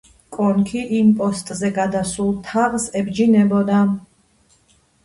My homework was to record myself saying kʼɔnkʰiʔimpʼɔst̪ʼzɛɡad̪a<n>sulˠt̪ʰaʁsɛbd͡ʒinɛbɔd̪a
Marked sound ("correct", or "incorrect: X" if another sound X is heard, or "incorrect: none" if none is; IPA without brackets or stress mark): incorrect: none